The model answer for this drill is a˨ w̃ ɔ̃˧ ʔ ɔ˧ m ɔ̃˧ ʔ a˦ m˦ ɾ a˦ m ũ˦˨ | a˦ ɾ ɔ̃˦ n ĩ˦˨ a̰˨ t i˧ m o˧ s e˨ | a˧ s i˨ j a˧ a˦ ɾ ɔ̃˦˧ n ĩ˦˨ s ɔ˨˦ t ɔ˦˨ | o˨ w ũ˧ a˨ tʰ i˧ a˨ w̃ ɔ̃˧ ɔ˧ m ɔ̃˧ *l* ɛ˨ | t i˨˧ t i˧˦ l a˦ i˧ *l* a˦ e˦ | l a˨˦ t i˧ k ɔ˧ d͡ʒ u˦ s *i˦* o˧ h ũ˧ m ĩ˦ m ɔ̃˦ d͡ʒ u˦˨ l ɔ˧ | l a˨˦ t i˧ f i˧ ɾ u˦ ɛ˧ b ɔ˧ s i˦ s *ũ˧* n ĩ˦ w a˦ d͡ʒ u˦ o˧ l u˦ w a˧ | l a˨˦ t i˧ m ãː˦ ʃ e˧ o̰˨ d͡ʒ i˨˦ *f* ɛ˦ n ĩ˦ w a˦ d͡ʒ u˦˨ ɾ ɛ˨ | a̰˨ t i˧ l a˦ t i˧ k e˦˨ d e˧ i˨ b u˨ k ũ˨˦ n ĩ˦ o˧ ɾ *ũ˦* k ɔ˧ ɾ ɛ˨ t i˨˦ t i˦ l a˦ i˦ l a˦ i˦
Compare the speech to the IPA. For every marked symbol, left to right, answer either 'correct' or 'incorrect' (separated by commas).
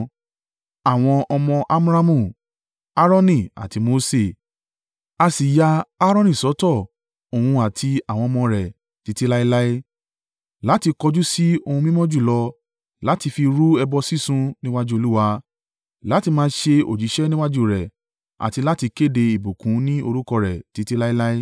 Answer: incorrect, correct, correct, correct, incorrect, incorrect